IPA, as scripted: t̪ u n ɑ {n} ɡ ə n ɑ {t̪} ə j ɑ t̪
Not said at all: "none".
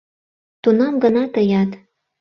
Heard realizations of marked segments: m, t̪

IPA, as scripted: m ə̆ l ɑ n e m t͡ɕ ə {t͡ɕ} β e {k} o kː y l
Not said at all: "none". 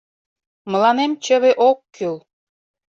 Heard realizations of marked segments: none, ʔ

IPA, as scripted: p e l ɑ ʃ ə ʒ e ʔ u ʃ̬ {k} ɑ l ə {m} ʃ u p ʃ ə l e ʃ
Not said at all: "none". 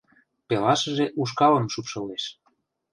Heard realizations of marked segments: k, m

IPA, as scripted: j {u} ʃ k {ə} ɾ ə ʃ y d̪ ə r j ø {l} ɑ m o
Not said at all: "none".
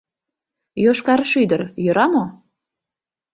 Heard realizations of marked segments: o, ɑ, ɾ

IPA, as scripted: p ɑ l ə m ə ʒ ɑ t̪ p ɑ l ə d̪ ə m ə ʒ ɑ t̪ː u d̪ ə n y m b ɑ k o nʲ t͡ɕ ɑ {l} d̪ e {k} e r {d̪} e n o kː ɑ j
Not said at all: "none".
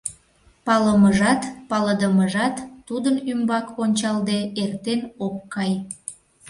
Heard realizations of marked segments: l, none, t̪

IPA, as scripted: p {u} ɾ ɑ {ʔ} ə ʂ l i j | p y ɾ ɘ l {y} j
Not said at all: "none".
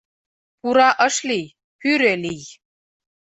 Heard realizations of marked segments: u, ʔ, i

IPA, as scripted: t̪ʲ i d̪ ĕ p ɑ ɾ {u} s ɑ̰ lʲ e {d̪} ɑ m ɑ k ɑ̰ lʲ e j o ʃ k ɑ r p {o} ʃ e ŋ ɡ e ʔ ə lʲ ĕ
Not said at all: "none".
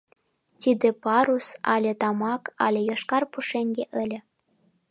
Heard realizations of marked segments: u, t̪, u

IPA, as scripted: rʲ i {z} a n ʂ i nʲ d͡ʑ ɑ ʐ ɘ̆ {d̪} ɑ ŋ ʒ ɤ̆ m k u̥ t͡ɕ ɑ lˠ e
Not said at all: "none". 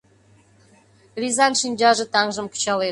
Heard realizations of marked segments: z, t̪

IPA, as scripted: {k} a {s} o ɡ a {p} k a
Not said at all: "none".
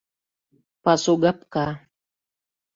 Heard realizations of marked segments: p, s, p

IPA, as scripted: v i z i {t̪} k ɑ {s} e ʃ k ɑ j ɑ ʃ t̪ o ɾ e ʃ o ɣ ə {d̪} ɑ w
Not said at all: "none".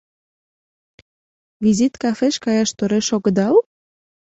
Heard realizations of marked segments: t̪, f, d̪

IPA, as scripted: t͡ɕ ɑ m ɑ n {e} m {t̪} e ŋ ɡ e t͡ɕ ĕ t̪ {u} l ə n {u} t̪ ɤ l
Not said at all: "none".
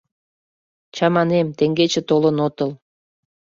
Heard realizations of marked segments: e, t̪, o, o

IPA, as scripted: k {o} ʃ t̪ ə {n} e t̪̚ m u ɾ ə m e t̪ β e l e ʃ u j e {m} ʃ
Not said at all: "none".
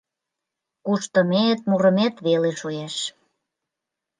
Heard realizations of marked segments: u, m, none

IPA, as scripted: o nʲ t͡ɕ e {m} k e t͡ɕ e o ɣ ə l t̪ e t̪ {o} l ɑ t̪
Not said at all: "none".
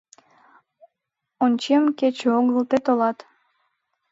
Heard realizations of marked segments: m, o

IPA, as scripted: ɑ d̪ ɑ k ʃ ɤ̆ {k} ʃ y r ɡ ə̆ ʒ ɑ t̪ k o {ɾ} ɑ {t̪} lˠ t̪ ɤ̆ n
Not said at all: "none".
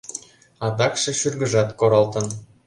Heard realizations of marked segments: none, ɾ, none

